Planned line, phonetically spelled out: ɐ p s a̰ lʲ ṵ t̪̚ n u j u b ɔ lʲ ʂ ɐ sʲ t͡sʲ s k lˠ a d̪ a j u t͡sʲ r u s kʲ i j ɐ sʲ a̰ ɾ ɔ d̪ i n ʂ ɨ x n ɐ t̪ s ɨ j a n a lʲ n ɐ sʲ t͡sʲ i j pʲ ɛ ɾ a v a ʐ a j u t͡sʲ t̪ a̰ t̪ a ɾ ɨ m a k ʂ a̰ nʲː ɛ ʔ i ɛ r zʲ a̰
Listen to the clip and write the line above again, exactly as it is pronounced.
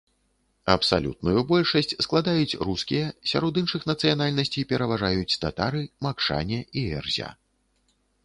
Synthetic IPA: ɐ p s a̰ lʲ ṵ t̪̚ n u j u b ɔ lʲ ʂ ɐ sʲ t͡sʲ s k lˠ a d̪ a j u t͡sʲ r u s kʲ i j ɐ sʲ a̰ ɾ ɔ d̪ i n ʂ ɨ x n ɐ t̪ s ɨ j a n a lʲ n ɐ sʲ t͡sʲ i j pʲ ɛ ɾ ɐ v a ʐ a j u t͡sʲ t̪ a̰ t̪ a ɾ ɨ m a k ʂ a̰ nʲ ɛ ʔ i ɛ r zʲ a̰